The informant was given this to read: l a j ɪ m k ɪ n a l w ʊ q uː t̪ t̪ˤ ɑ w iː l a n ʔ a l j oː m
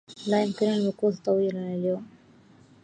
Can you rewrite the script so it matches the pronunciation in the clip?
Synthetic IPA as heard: l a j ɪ m k ɪ n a l w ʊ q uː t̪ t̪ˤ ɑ w iː l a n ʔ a l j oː m